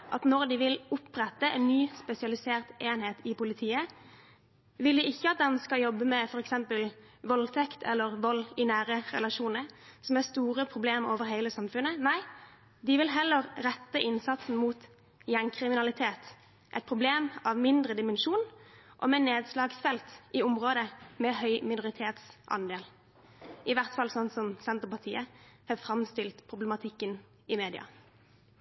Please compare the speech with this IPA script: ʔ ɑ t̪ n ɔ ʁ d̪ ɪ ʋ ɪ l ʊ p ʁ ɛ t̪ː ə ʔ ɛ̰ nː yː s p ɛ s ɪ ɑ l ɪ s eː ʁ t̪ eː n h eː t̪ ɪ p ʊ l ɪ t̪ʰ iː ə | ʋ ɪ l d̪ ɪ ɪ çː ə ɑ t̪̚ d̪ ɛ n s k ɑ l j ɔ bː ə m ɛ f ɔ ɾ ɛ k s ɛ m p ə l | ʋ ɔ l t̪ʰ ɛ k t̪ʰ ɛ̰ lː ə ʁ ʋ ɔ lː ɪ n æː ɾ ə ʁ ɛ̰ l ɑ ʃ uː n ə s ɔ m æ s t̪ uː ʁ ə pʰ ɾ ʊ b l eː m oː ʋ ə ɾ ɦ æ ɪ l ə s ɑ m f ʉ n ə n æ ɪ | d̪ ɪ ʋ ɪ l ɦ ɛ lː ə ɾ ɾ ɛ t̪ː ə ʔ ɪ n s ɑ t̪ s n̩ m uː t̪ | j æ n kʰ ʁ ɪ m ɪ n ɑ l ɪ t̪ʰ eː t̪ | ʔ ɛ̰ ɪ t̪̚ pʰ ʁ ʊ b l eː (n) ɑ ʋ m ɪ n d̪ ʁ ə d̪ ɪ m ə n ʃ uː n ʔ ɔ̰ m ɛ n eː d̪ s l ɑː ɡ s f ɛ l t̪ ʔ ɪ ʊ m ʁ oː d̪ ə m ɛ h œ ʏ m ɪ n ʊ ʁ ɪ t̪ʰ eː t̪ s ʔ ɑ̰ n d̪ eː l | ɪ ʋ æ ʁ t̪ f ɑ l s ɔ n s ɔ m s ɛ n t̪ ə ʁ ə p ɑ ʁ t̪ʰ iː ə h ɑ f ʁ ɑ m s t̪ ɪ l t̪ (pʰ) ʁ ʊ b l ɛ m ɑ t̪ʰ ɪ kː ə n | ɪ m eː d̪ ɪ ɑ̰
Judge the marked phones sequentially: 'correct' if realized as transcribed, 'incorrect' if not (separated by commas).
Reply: incorrect, correct